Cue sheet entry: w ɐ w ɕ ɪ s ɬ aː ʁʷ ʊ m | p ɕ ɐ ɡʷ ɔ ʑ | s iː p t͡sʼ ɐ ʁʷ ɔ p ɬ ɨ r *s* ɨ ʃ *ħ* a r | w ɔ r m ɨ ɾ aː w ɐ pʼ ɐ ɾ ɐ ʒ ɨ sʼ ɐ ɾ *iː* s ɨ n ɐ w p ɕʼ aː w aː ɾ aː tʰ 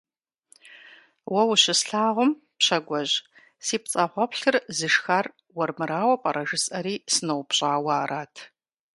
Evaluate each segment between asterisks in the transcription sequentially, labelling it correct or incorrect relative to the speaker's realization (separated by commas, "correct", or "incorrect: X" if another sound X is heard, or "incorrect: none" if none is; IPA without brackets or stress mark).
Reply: incorrect: z, incorrect: x, correct